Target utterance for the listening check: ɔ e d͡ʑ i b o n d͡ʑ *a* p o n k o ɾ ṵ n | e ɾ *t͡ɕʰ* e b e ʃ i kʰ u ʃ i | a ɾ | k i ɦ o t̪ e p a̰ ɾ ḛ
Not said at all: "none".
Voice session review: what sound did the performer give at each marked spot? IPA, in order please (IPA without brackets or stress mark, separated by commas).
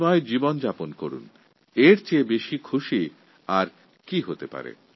a, t͡ɕ